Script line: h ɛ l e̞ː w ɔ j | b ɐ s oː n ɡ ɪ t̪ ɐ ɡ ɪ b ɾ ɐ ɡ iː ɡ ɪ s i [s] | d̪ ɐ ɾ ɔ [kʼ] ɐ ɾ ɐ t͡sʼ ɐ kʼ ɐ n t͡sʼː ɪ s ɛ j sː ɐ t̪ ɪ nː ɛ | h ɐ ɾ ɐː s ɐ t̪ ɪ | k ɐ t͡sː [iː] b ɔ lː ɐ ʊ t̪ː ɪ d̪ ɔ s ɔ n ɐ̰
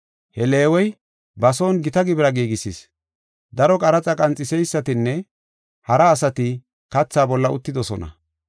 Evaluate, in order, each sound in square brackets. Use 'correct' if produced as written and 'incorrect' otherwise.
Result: correct, correct, incorrect

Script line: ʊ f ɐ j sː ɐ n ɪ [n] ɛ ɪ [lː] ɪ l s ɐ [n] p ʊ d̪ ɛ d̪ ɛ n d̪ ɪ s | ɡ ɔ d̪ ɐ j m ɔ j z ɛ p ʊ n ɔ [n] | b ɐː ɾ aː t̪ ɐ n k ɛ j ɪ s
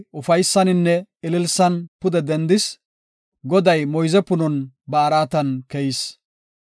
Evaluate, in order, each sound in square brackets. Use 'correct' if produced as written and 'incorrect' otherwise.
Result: incorrect, incorrect, correct, correct

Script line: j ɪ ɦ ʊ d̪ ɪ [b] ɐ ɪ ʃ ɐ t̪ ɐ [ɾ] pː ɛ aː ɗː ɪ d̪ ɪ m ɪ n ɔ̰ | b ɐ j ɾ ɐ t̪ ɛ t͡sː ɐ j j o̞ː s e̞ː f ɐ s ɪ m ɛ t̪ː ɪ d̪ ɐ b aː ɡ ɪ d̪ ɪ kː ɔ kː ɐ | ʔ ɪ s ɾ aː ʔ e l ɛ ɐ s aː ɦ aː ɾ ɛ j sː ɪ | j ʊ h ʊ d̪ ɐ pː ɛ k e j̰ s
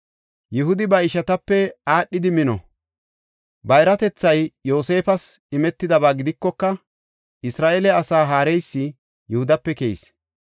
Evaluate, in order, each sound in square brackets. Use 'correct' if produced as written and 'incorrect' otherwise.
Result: correct, incorrect

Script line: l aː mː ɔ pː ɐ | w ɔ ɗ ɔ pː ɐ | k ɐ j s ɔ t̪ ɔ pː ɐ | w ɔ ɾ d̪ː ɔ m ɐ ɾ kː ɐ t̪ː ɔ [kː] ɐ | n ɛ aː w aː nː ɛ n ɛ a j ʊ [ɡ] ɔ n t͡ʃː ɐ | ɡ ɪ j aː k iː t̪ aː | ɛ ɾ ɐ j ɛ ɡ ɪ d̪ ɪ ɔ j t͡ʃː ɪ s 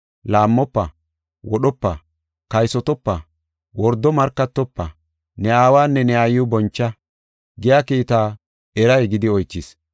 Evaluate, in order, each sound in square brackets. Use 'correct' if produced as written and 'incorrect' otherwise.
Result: incorrect, incorrect

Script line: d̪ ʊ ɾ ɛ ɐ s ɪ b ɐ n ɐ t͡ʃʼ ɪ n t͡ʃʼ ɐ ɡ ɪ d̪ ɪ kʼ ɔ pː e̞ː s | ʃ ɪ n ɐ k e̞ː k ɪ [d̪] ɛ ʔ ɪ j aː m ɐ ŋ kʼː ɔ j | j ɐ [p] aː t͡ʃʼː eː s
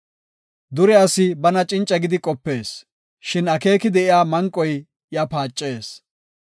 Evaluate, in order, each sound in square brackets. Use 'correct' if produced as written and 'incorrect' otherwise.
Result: correct, correct

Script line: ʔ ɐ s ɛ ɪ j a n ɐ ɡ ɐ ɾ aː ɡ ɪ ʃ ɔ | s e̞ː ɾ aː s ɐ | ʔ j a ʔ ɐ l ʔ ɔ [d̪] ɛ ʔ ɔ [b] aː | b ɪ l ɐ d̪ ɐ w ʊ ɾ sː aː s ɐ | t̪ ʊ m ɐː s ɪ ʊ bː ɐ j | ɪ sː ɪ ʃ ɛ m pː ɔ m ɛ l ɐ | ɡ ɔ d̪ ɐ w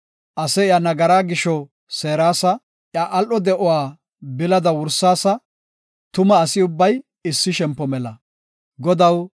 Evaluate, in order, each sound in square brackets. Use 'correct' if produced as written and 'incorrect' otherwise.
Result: correct, incorrect

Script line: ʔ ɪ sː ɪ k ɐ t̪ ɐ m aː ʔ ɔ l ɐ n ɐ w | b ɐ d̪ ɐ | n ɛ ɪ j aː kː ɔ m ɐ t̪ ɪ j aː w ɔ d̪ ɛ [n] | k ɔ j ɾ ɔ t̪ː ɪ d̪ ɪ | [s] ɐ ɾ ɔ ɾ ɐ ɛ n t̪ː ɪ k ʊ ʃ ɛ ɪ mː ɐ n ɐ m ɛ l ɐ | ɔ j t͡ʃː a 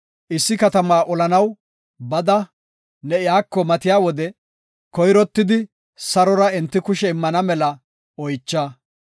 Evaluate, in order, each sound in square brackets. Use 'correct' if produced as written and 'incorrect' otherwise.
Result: incorrect, correct

